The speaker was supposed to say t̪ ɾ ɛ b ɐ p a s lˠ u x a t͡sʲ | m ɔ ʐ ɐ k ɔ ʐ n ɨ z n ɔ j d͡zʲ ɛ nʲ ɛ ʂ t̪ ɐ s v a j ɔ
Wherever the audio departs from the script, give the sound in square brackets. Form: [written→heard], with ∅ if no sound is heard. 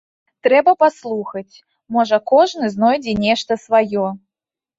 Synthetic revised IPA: t̪ ɾ ɛ b ɐ p a s lˠ u x [a→ɐ] t͡sʲ | m ɔ ʐ ɐ k ɔ ʐ n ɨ z n ɔ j d͡zʲ ɛ nʲ ɛ ʂ t̪ ɐ s v a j ɔ